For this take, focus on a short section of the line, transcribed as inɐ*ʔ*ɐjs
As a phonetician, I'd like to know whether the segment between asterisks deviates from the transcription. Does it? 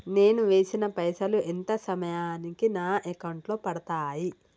yes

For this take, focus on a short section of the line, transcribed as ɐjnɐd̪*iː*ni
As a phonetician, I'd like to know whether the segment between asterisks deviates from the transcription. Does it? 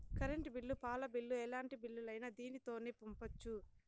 no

